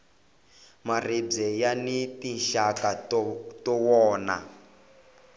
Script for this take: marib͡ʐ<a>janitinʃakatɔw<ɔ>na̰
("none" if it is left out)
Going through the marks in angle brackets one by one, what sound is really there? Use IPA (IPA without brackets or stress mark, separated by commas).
ɛ, ɔː